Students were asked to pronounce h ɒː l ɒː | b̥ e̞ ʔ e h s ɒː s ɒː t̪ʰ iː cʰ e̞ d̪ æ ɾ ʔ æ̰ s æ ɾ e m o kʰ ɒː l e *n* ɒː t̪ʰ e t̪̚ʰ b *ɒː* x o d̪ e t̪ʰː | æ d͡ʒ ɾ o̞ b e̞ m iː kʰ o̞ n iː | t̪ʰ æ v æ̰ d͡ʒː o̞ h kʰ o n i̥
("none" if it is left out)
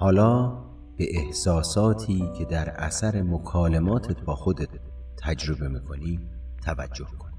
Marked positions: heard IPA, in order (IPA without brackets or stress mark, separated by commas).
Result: m, ɒː